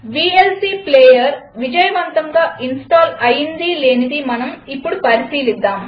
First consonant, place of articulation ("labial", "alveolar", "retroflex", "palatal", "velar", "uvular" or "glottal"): labial